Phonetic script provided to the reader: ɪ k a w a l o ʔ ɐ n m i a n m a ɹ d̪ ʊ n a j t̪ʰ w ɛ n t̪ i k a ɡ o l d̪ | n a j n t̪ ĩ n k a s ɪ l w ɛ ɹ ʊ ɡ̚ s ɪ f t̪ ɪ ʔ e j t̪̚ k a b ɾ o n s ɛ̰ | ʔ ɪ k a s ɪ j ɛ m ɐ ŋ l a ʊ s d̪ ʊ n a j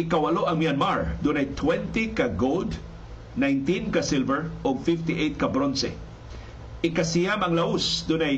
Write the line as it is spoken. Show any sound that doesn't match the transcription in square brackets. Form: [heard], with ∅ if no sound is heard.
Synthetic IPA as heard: ɪ k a w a l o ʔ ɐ [ŋ] m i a n m a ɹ d̪ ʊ n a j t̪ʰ w ɛ n t̪ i k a ɡ o l d̪ | n a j n t̪ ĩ n k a s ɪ l [v] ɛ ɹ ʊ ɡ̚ [f] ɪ f t̪ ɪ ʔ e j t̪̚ k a b ɾ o n s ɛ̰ | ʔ ɪ k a s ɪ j [a] m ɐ ŋ l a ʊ s d̪ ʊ n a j